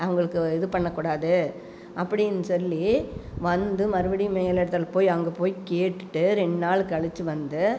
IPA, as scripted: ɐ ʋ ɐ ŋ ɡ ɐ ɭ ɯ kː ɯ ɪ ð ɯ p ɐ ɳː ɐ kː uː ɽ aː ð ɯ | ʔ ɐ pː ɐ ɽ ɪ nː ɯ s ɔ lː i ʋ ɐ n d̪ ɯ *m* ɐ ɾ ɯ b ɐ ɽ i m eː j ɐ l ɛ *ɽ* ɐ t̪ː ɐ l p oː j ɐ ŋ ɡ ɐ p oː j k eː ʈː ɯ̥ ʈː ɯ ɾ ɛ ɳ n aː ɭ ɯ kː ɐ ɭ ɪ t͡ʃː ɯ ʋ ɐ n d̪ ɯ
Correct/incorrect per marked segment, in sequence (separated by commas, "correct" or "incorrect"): correct, correct